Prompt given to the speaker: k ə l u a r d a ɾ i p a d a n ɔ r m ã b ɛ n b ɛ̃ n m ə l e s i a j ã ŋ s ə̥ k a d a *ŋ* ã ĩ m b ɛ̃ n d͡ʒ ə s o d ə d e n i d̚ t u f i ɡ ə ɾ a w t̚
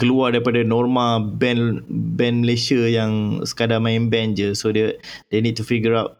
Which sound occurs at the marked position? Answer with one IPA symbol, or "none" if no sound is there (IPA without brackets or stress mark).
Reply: m